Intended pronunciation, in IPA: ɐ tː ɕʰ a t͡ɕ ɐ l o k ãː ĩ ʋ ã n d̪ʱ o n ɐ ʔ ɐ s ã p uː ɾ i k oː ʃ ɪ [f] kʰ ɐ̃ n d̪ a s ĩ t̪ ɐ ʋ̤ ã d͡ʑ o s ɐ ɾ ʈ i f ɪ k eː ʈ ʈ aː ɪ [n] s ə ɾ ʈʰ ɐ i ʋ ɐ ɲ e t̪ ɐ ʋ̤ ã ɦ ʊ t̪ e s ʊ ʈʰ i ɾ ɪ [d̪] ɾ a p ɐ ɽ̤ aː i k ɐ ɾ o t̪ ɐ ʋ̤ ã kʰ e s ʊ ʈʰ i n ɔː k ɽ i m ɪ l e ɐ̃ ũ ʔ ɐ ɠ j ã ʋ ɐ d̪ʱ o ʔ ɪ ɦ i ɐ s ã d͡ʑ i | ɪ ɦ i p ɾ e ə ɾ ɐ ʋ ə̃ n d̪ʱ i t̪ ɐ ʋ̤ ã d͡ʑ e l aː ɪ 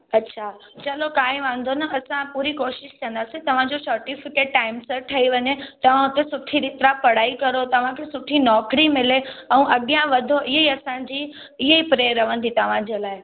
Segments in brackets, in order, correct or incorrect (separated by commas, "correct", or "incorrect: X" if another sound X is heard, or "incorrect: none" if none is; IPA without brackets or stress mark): incorrect: ʃ, incorrect: m, incorrect: t̪